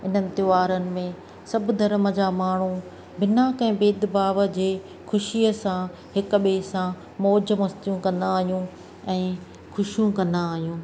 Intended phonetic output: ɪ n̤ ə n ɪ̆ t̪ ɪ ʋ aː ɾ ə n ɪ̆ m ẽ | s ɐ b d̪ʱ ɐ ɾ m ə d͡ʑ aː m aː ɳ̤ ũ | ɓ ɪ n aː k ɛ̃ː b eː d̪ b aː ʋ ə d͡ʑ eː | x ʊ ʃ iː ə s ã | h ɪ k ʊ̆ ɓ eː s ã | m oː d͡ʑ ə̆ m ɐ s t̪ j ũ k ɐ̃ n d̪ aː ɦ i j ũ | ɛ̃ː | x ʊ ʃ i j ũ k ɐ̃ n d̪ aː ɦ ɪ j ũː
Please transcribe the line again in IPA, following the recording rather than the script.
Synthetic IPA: ɪ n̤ ə n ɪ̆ t̪ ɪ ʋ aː ɾ ə n ɪ̆ m ẽ | s ɐ b d̪ʱ ɐ ɾ m ə d͡ʑ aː m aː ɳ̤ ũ | b ɪ n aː k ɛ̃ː b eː d̪ b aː ʋ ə d͡ʑ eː | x ʊ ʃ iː ə s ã | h ɪ k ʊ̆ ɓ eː s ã | m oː d͡ʑ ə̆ m ɐ s t̪ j ũ k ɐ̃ n d̪ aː ɦ i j ũ | ɛ̃ː | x ʊ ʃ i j ũ k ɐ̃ n d̪ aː ɦ i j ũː